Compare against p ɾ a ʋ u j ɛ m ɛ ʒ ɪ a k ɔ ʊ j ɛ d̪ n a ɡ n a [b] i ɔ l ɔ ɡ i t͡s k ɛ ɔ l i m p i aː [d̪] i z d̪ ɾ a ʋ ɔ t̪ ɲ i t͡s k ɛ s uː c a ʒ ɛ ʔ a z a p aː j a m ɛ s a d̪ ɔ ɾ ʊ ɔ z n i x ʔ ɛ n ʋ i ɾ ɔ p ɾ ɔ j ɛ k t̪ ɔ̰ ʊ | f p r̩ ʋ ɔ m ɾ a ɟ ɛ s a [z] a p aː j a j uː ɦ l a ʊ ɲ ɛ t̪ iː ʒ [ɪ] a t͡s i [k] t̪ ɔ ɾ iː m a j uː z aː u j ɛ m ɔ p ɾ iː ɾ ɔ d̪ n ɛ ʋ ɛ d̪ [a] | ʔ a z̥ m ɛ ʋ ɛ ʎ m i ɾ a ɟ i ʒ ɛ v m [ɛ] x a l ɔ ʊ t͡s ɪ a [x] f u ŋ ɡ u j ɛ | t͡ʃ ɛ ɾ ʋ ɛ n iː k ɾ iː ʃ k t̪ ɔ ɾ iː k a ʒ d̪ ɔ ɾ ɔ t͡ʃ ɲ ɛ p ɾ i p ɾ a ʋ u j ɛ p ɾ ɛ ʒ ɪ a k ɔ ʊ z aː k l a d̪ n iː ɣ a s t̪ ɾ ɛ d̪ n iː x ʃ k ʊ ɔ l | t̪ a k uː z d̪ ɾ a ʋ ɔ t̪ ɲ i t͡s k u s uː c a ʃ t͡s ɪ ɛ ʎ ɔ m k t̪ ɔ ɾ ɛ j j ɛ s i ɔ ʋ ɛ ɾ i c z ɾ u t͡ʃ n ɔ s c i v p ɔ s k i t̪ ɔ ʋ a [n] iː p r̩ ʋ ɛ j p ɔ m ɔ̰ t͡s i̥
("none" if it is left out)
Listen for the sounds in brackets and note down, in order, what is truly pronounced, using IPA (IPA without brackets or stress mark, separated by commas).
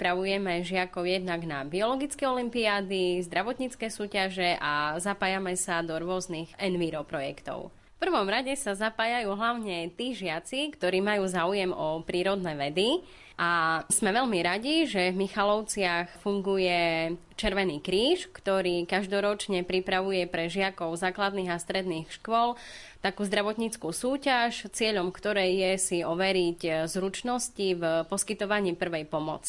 b, d̪, z, ɪ, k, i, i, x, ɲ